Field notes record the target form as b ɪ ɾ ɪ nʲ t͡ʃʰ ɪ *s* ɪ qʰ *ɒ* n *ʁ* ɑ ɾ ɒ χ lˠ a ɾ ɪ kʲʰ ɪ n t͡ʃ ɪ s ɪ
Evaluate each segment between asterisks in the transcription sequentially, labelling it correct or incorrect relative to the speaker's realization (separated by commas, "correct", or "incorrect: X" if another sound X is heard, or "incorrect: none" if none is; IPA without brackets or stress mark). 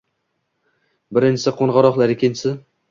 correct, incorrect: o, correct